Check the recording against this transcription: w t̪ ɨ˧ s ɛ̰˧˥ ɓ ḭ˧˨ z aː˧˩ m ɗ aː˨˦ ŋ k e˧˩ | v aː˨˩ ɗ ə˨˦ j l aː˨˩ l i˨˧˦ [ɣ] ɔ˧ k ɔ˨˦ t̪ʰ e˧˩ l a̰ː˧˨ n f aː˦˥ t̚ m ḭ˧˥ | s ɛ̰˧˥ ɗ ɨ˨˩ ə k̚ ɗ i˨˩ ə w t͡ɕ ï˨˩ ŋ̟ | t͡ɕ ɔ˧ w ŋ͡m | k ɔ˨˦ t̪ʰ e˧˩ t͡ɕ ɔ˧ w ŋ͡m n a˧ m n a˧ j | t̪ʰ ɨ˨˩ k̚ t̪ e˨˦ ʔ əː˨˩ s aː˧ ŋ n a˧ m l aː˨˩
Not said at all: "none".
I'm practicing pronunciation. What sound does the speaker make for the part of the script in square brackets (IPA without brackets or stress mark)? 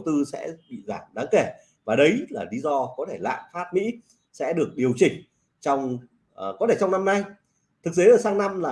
z